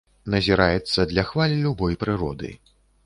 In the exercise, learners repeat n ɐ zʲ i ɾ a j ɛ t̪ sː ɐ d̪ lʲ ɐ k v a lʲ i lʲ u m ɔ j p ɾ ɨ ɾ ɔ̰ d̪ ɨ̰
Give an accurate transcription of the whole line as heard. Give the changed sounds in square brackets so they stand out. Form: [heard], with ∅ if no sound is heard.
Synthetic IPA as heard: n ɐ zʲ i ɾ a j ɛ t̪ sː ɐ d̪ lʲ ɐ [x] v a lʲ i lʲ u [b] ɔ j p ɾ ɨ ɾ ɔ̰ d̪ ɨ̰